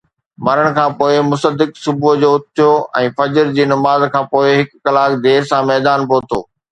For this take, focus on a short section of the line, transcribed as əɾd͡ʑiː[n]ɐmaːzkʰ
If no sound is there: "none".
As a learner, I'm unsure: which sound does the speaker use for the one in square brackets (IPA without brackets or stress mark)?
n